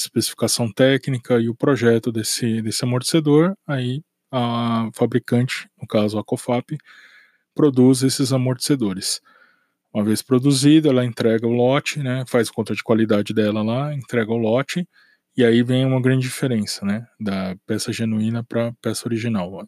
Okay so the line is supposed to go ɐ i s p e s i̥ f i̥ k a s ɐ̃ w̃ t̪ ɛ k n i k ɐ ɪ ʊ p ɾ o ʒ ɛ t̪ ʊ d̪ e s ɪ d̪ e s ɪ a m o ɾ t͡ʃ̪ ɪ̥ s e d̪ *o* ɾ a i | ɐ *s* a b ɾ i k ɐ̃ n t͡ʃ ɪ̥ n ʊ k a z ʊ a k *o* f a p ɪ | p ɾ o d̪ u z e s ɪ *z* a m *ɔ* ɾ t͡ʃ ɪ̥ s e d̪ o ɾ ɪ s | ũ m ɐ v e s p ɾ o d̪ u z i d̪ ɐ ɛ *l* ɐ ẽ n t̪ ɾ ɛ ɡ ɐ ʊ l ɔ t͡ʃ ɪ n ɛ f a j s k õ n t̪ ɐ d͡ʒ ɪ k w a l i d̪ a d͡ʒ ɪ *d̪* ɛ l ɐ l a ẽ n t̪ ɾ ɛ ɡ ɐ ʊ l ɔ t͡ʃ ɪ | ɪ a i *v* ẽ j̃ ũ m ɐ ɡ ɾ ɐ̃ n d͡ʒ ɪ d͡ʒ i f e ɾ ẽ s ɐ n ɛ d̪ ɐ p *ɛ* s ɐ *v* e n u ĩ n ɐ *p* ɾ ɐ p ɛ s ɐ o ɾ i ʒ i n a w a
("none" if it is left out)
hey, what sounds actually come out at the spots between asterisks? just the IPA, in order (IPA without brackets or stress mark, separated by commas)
o, f, o, z, o, l, d̪, v, ɛ, ʒ, p